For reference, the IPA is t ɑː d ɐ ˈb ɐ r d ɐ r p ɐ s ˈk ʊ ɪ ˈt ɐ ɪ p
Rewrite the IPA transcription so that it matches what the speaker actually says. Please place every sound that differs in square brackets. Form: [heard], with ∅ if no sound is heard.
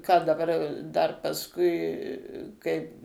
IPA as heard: [k] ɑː d ɐ ˈb ɐ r d ɐ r p ɐ s ˈk ʊ ɪ [ˈk] ɐ ɪ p